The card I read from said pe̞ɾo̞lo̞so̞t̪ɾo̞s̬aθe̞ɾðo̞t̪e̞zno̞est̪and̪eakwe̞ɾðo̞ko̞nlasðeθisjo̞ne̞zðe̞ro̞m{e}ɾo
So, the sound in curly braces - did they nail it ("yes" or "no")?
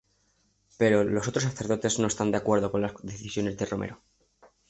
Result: yes